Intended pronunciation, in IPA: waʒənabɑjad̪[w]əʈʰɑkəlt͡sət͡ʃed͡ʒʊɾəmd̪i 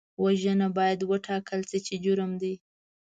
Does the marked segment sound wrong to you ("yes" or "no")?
no